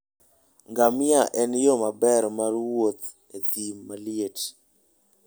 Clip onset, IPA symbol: ŋ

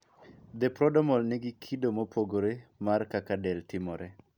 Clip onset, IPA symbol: d̪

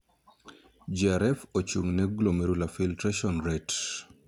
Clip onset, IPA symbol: d͡ʒ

